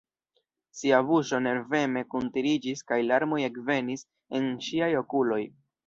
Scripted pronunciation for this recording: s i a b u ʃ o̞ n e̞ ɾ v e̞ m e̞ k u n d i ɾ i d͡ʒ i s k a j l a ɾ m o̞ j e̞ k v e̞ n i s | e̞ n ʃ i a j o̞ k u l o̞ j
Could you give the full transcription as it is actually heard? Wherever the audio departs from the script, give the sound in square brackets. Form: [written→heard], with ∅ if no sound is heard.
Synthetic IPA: s i a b u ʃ o̞ n e̞ ɾ v e̞ m e̞ k u n [d→t] i ɾ i d͡ʒ i s k a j l a ɾ m o̞ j e̞ k v e̞ n i s | e̞ n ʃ i a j o̞ k u l o̞ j